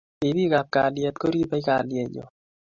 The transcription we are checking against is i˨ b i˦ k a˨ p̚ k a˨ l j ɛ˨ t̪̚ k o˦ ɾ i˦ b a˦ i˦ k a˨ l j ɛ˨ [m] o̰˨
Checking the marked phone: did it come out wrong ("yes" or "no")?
yes